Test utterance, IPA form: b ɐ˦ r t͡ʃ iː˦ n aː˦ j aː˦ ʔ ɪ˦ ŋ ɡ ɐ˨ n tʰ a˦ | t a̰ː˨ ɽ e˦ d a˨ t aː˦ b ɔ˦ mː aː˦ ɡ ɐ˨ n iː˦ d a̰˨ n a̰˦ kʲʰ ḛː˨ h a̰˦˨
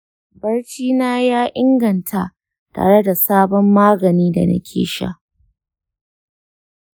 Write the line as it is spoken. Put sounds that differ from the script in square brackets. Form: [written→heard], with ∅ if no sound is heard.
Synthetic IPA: b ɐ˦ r t͡ʃ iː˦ n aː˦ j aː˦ ʔ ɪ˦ ŋ ɡ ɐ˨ n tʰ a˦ | t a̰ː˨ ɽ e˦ d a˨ [t→s] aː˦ b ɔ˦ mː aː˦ ɡ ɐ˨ n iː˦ d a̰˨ n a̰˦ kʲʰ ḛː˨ [h→ʃ] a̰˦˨